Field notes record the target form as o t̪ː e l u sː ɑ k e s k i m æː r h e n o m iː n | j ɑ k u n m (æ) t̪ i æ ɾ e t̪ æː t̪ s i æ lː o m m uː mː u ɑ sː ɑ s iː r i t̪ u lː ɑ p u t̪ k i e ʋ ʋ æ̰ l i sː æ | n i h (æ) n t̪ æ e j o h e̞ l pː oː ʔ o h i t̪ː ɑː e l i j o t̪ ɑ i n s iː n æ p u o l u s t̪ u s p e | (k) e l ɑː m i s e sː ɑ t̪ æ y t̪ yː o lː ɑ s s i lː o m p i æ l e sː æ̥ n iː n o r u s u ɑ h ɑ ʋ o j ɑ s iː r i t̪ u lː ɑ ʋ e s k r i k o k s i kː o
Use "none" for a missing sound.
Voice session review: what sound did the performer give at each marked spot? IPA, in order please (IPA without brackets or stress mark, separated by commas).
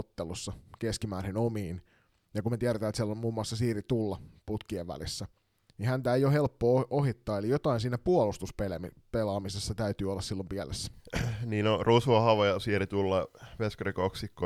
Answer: e, æ, p